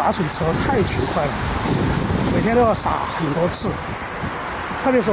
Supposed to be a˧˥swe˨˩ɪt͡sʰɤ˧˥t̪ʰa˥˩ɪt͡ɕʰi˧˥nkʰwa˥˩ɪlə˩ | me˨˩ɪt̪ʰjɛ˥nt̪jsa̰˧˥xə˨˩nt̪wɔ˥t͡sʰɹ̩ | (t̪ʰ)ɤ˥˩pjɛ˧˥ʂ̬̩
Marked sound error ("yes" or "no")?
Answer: no